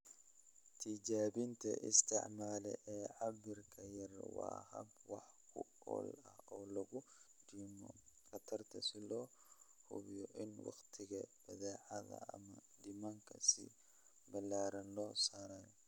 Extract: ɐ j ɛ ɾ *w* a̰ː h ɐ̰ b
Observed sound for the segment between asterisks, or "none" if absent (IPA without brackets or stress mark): w